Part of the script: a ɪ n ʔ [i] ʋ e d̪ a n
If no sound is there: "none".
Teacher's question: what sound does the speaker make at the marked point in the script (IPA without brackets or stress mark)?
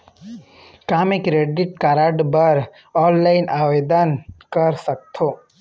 a